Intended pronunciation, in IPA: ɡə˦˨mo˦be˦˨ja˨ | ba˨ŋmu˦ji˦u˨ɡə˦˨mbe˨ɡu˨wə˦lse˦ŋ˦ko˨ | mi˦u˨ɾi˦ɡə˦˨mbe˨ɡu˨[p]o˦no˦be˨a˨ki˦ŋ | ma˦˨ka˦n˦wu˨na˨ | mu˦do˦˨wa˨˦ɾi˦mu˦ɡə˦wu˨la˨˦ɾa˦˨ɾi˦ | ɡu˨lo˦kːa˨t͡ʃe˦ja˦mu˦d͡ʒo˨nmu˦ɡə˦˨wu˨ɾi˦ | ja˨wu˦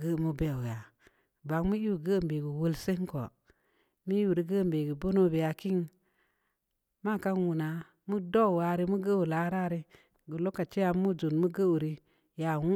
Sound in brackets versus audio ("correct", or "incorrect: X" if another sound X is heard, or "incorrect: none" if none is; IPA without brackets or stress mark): incorrect: b